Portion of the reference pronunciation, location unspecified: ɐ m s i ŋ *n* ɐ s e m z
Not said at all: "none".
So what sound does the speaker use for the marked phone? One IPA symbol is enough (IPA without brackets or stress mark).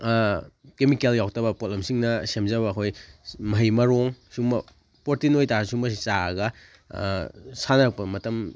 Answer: n